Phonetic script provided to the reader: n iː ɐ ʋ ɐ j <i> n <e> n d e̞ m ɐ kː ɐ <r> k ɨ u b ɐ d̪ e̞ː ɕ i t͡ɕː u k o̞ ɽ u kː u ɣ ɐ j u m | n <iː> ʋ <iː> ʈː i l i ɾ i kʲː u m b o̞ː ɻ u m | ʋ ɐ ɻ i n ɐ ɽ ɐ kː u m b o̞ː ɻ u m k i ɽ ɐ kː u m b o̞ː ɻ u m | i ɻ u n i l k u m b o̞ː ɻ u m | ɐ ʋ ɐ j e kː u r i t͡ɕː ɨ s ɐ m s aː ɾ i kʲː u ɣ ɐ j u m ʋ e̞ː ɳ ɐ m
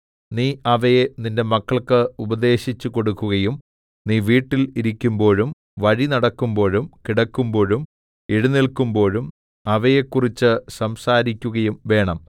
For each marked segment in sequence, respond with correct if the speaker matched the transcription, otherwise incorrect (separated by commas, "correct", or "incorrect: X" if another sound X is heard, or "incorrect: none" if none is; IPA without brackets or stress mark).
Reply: incorrect: e, incorrect: i, incorrect: ɭ, correct, correct